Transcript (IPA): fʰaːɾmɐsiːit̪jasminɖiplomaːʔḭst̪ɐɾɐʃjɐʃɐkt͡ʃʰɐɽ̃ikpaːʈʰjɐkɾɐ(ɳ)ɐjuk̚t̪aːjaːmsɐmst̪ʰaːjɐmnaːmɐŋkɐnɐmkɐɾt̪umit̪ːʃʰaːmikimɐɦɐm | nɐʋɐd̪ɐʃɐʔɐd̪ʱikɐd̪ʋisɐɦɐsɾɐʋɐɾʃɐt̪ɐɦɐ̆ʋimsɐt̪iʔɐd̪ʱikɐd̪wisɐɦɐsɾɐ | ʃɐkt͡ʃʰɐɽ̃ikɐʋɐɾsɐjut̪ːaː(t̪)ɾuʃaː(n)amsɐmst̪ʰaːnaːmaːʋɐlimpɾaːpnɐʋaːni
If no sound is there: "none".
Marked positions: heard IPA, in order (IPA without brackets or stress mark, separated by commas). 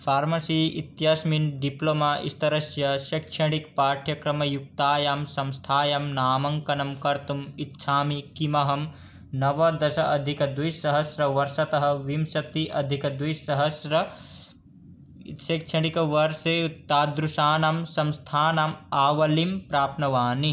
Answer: m, d̪, n